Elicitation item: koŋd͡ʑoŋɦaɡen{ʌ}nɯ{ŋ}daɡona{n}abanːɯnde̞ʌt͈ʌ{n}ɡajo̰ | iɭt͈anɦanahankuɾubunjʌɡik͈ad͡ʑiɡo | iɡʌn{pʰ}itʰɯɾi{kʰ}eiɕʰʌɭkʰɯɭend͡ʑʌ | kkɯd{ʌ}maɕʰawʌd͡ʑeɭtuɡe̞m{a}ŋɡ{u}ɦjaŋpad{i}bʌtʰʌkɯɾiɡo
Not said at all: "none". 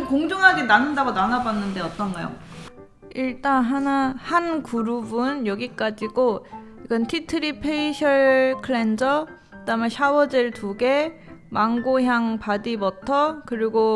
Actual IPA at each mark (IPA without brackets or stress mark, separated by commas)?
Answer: a, n, n, n, tʰ, pʰ, a, a, o, i